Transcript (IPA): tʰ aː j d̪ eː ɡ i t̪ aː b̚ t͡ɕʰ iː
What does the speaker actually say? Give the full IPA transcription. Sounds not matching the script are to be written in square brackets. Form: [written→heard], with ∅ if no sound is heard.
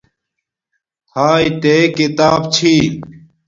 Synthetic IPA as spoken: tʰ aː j [d̪→t̪] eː [ɡ→k] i t̪ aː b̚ t͡ɕʰ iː